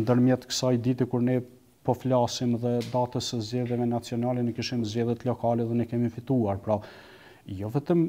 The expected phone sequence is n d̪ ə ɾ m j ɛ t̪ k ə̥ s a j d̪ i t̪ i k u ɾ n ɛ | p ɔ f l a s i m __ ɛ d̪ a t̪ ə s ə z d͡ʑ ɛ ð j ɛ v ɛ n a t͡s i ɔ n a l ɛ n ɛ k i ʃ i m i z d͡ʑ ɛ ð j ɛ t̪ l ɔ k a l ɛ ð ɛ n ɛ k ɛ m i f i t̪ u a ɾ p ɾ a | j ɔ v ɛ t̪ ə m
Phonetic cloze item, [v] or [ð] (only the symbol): ð